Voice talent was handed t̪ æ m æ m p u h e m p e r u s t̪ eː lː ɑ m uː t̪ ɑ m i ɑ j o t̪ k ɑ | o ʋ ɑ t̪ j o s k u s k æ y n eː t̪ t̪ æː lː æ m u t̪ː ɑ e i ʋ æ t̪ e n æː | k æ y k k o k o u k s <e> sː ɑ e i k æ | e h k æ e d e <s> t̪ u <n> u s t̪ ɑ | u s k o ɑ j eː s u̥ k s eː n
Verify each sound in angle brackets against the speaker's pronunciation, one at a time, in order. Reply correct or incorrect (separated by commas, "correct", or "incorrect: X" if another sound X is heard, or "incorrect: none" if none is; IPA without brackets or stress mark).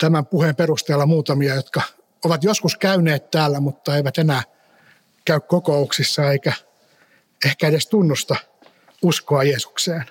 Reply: incorrect: i, correct, incorrect: nː